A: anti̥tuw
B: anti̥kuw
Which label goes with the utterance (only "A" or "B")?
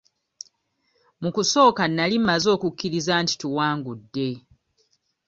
A